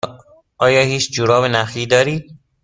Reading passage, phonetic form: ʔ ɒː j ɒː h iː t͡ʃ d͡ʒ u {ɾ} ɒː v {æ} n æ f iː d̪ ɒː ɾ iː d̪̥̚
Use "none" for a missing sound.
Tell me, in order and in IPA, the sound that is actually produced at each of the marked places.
ɾ, e

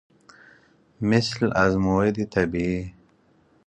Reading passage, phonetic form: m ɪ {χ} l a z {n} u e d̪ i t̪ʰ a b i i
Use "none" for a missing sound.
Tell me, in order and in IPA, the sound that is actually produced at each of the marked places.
s, m

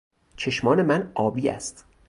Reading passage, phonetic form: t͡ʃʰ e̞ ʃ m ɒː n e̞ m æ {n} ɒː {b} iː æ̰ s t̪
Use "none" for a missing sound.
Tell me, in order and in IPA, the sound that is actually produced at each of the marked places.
n, b

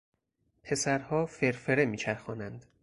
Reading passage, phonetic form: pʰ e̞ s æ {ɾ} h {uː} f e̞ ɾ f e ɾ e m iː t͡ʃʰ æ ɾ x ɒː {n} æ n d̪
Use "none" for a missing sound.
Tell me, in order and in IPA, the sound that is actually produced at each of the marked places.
ɾ, ɒː, n

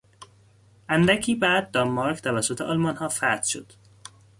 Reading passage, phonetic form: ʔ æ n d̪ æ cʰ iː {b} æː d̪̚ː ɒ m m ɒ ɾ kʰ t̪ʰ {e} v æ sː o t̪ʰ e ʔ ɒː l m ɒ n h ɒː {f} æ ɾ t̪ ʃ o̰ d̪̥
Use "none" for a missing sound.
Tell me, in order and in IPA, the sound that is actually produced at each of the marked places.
b, æ, f

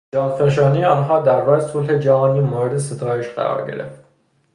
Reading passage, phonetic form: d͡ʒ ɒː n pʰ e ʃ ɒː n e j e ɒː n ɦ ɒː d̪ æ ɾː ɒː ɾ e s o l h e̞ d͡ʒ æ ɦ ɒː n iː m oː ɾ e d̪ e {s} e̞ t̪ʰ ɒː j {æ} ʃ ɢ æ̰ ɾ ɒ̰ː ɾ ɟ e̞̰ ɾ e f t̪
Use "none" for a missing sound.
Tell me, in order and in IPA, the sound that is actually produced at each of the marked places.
s, e

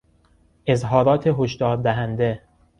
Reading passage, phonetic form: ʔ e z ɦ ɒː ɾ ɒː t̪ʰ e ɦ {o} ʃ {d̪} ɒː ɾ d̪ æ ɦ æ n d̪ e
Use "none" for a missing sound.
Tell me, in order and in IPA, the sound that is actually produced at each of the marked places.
o, d̪

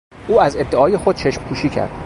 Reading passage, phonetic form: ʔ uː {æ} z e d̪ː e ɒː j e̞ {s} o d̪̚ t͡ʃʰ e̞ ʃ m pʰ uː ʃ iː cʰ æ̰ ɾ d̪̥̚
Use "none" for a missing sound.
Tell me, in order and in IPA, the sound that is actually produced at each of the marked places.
æ, x

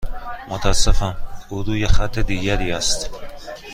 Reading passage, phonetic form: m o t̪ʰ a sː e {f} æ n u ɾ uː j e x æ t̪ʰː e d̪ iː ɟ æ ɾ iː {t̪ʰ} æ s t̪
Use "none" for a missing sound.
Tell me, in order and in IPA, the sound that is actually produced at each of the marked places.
f, none

